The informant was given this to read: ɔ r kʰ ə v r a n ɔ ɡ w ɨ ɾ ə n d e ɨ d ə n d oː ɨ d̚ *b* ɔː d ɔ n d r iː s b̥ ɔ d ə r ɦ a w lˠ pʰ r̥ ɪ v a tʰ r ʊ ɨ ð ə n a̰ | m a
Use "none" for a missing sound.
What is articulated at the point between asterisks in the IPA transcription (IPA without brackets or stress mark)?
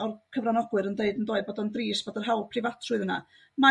b